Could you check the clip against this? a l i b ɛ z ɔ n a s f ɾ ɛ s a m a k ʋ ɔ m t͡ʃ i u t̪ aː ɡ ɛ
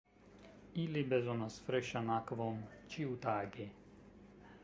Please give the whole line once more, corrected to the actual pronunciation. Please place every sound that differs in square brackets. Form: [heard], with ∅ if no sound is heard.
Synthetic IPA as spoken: [i] l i b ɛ z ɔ n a s f ɾ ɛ [ʃ] a [n] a k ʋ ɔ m t͡ʃ i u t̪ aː ɡ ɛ